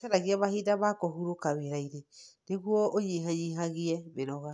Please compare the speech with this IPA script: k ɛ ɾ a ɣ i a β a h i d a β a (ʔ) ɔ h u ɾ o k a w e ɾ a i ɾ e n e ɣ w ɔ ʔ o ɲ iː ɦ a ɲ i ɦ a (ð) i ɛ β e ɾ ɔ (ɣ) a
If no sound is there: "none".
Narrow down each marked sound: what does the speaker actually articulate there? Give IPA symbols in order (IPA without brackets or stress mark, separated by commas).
k, ɣ, ɣ